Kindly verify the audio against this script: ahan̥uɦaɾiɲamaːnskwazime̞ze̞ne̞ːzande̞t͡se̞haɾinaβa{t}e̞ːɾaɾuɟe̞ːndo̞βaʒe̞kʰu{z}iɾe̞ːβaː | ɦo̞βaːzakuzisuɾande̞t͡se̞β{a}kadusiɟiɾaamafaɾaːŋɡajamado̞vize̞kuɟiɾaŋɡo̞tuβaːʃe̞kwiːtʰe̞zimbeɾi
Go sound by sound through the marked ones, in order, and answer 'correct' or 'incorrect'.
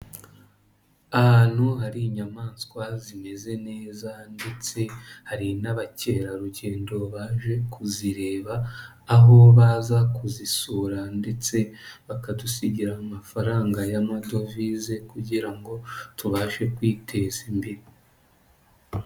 incorrect: c, correct, correct

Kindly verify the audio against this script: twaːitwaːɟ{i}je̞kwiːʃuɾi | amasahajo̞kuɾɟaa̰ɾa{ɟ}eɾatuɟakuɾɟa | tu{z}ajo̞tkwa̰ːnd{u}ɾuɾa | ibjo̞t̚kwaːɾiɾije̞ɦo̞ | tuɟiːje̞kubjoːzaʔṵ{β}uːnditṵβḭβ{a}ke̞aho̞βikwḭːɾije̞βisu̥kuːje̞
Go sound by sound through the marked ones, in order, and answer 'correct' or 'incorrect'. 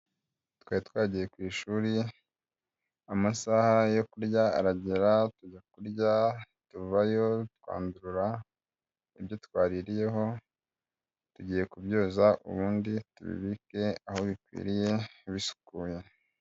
correct, correct, incorrect: v, correct, correct, incorrect: i

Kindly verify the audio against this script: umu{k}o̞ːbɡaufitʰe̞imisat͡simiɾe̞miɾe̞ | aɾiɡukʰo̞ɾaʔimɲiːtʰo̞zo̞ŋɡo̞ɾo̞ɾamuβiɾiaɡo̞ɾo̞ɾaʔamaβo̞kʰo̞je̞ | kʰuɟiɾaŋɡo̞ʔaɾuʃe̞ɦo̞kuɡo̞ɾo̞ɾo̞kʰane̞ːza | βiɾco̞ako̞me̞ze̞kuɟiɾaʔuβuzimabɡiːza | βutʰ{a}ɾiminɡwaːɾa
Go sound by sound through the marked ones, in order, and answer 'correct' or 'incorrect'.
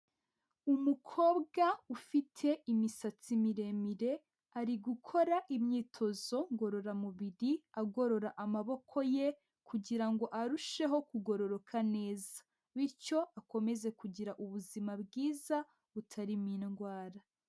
incorrect: kʰ, correct

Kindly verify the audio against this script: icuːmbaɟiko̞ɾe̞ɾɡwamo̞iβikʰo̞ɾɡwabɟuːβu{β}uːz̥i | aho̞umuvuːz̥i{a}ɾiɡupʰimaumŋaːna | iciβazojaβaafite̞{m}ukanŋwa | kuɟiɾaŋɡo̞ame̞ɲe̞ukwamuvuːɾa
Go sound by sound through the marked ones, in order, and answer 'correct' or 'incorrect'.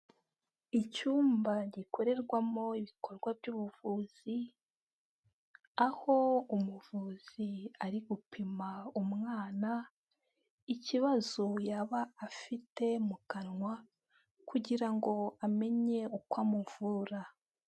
incorrect: v, correct, correct

